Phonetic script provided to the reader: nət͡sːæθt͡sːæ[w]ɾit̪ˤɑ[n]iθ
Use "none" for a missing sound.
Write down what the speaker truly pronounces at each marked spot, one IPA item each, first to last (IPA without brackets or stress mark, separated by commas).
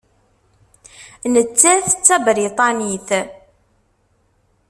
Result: b, n